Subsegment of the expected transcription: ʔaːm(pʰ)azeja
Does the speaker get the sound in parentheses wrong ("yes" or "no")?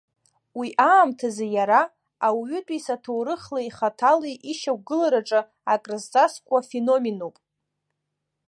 yes